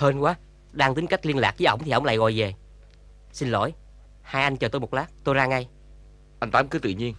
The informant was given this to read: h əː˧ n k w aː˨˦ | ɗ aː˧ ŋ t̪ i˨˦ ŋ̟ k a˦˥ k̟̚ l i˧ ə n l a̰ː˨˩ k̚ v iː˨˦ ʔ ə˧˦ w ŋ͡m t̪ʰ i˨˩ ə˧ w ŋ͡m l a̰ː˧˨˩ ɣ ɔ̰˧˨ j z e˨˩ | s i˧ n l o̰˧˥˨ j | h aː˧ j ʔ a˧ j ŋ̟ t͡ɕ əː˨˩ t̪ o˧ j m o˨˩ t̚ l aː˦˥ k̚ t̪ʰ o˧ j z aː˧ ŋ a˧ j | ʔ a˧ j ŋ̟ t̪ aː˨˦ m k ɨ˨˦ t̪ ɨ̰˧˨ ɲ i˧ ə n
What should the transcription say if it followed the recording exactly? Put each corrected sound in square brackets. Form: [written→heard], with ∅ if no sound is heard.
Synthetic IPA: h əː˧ n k w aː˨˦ | ɗ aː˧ ŋ t̪ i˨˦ ŋ̟ k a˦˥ k̟̚ l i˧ ə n l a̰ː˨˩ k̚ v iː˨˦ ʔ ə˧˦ w ŋ͡m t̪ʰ i˨˩ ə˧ w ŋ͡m l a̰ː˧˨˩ ɣ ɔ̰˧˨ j [z→v] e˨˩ | s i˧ n l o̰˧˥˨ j | h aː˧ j ʔ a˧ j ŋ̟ t͡ɕ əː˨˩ t̪ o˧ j m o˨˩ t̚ l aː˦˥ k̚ [t̪ʰ→t̪] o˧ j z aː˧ ŋ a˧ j | ʔ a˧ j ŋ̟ t̪ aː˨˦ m k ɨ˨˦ t̪ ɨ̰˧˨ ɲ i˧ ə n

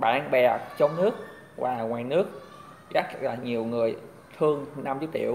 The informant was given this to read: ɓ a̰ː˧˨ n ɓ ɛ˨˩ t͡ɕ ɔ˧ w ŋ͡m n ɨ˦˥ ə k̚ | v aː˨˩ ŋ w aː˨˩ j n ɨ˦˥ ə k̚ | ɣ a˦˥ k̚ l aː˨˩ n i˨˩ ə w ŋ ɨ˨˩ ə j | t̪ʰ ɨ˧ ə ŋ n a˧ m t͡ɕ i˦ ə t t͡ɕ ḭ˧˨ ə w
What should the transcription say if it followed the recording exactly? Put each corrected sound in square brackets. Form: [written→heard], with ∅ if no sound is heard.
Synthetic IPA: ɓ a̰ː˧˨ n ɓ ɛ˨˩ t͡ɕ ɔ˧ w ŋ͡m n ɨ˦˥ ə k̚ | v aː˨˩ ŋ w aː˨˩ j n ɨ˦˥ ə k̚ | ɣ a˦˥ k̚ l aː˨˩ [n→ɲ] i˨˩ ə w ŋ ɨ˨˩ ə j | t̪ʰ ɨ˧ ə ŋ n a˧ m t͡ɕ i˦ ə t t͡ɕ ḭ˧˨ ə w

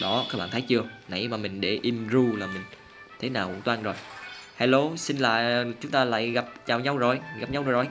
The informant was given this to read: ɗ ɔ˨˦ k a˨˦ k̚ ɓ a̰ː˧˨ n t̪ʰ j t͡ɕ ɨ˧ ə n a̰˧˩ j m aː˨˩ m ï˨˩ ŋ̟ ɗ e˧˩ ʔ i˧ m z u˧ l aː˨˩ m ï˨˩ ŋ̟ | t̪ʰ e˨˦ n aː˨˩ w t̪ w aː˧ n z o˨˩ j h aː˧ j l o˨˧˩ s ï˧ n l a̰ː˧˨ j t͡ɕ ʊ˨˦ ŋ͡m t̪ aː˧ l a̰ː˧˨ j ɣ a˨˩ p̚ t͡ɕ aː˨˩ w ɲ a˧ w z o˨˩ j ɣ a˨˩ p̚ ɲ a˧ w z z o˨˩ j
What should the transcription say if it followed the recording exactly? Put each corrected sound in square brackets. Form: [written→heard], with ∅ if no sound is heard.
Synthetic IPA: ɗ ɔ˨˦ k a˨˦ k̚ ɓ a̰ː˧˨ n t̪ʰ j t͡ɕ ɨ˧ ə n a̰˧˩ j m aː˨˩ m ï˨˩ ŋ̟ ɗ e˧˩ ʔ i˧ m z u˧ l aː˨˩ m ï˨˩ ŋ̟ | t̪ʰ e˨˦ n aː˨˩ w t̪ w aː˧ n z o˨˩ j h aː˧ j l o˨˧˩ s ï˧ n l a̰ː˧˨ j t͡ɕ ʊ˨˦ ŋ͡m t̪ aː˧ l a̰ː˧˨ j ɣ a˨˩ p̚ t͡ɕ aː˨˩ w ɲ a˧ w z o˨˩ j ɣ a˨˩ p̚ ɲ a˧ w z z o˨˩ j

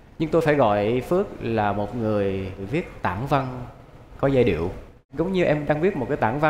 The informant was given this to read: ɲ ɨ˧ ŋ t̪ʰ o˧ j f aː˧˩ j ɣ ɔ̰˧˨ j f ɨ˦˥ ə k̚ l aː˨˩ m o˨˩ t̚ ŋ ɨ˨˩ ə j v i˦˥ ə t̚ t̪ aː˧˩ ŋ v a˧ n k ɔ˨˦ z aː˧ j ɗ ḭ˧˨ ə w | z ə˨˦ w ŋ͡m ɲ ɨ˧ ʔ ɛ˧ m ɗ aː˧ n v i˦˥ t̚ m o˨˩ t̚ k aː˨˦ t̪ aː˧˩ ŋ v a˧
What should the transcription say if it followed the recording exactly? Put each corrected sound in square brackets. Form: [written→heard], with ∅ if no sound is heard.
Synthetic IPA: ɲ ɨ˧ ŋ [t̪ʰ→t̪] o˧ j f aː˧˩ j ɣ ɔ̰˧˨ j f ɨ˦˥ ə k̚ l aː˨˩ m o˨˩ t̚ ŋ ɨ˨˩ ə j v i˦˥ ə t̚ t̪ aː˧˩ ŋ v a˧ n k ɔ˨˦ z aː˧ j ɗ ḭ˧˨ ə w | z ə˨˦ w ŋ͡m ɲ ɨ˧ ʔ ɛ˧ m ɗ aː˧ [n→ŋ] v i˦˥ t̚ m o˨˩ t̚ k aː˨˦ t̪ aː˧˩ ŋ v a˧

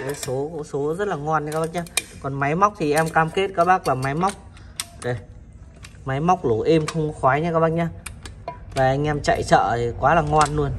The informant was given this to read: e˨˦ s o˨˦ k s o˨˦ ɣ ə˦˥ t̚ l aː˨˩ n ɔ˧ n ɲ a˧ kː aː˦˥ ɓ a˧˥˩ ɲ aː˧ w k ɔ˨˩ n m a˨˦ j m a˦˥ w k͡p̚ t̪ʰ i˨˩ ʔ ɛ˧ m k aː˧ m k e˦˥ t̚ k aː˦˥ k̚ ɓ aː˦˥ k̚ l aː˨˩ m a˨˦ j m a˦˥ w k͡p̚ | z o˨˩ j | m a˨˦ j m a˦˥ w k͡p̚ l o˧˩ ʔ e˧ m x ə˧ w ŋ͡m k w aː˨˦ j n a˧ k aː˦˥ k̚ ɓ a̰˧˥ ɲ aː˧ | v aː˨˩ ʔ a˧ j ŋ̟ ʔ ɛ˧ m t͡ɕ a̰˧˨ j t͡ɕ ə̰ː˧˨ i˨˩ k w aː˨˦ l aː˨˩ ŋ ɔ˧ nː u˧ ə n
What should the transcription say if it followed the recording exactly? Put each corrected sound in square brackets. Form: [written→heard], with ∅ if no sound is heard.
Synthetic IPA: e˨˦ s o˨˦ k s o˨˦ [ɣ→z] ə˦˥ t̚ l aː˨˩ [n→ŋ] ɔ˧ n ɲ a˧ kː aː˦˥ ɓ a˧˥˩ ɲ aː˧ [w→∅] k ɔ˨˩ n m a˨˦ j m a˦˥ w k͡p̚ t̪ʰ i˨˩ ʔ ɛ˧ m k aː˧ m k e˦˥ t̚ k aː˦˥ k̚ ɓ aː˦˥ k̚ l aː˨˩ m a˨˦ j m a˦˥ w k͡p̚ | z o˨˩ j | m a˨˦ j m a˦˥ w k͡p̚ l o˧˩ ʔ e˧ m x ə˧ w ŋ͡m [k→x] w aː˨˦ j [n→ɲ] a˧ k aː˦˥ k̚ ɓ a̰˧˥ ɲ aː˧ | v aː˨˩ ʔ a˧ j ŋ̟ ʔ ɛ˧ m t͡ɕ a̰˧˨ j t͡ɕ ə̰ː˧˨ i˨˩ k w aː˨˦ l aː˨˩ ŋ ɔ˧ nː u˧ ə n

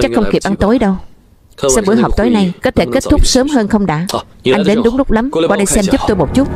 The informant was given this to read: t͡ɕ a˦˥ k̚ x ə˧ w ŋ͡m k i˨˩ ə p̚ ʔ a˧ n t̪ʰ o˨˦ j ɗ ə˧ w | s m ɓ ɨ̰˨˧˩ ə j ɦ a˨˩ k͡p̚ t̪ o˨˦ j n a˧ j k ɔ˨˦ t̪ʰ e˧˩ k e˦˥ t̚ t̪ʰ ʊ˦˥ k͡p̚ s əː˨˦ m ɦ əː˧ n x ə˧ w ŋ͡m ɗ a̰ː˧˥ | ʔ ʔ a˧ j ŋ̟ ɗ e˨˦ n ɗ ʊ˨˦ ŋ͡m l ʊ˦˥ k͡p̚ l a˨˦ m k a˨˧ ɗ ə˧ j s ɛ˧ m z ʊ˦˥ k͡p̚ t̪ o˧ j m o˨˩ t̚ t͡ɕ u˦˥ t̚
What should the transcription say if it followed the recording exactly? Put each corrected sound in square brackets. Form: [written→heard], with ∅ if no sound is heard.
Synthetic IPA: t͡ɕ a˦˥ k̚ x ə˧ w ŋ͡m k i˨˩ ə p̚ ʔ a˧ n [t̪ʰ→t̪] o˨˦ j ɗ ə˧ w | s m ɓ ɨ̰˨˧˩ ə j ɦ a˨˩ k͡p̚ t̪ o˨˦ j n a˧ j k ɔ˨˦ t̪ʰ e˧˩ k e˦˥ t̚ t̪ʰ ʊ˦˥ k͡p̚ s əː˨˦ m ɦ əː˧ n x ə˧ w ŋ͡m ɗ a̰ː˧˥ | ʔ ʔ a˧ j ŋ̟ ɗ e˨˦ n ɗ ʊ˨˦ ŋ͡m l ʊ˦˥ k͡p̚ l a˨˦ m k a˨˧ ɗ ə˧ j s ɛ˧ m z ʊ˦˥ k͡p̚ t̪ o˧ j m o˨˩ t̚ t͡ɕ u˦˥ t̚

